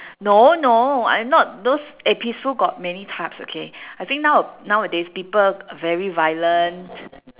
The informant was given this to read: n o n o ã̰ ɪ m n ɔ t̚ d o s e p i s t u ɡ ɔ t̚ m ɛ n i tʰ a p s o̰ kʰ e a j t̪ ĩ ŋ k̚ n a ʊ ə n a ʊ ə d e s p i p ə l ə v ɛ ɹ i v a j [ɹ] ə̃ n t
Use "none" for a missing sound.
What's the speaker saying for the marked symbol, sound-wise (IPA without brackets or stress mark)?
l